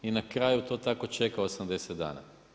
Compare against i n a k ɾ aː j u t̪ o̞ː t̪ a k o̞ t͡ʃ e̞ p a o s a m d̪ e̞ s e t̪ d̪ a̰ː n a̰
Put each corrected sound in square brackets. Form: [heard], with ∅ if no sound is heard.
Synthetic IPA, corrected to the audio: i n a k ɾ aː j u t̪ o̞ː t̪ a k o̞ t͡ʃ e̞ [k] a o s a m d̪ e̞ s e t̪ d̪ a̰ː n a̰

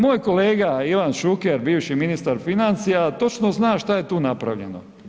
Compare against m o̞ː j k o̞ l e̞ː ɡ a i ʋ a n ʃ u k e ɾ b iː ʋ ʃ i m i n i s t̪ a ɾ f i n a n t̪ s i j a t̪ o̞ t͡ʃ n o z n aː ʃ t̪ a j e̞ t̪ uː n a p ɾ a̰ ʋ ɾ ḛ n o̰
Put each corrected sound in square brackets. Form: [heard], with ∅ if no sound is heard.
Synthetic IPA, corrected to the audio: m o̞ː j k o̞ l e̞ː ɡ a i ʋ a n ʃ u k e ɾ b iː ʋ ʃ i m i n i s t̪ a ɾ f i n a n t̪ s i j a t̪ o̞ t͡ʃ n o z n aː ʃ t̪ a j e̞ t̪ uː n a p ɾ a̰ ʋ [ʎ] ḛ n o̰

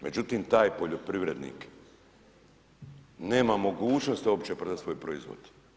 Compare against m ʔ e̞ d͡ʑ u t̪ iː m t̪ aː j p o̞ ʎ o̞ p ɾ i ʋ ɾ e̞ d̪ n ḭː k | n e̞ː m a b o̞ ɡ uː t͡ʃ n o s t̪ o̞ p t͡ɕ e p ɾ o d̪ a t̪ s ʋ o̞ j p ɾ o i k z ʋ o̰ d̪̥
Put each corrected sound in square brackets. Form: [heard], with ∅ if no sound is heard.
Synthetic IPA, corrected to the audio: m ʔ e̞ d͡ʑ u t̪ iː m t̪ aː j p o̞ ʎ o̞ p ɾ i ʋ ɾ e̞ d̪ n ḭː k | n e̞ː m a [m] o̞ ɡ uː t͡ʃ n o s t̪ o̞ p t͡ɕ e p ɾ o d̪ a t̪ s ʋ o̞ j p ɾ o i [∅] z ʋ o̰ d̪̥

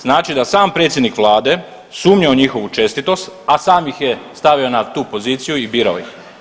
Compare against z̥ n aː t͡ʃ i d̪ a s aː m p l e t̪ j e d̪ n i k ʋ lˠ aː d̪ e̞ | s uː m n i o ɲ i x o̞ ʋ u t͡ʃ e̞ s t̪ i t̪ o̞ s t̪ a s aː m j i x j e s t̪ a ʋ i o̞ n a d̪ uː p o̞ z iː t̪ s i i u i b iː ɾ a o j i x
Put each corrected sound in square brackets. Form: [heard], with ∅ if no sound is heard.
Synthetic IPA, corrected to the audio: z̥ n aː t͡ʃ i d̪ a s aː m p [ɾ] e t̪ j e d̪ n i k ʋ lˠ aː d̪ e̞ | s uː m [ɲ] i o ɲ i x o̞ ʋ u t͡ʃ e̞ s t̪ i t̪ o̞ s t̪ a s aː m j i x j e s t̪ a ʋ i o̞ n a [t̪] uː p o̞ z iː t̪ s i [j] u i b iː ɾ a o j i x

